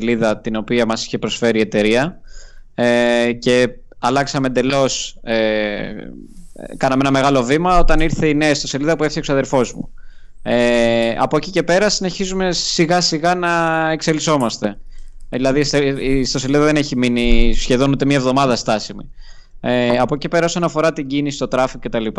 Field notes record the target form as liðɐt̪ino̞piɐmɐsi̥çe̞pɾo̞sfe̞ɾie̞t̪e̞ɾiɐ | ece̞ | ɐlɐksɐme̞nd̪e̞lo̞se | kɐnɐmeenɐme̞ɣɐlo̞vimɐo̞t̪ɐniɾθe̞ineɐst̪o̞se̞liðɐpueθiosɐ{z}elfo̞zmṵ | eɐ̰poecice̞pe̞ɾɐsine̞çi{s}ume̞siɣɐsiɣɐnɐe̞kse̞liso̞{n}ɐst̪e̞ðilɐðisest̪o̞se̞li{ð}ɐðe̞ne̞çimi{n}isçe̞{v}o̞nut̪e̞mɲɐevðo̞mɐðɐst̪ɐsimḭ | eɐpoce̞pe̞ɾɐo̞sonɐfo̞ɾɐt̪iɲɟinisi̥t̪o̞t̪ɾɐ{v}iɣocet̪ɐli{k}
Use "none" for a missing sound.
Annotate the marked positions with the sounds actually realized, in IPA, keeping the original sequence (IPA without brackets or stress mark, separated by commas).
ð, z, m, ð, n, ð, f, p